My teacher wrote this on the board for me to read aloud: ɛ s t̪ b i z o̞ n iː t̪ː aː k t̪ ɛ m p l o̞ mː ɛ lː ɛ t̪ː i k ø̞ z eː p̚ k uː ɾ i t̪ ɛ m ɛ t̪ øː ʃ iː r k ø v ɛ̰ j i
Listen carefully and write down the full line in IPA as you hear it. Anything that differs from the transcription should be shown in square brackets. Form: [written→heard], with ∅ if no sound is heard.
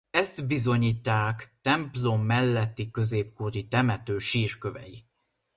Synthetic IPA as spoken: ɛ s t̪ b i z o̞ [n→ɲ] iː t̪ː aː k t̪ ɛ m p l o̞ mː ɛ lː ɛ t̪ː i k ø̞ z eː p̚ k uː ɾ i t̪ ɛ m ɛ t̪ øː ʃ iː r k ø v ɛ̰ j i